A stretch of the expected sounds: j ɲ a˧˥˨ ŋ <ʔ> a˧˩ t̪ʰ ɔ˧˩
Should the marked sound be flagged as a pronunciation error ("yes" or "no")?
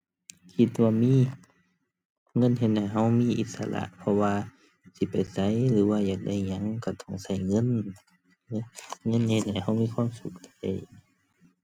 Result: yes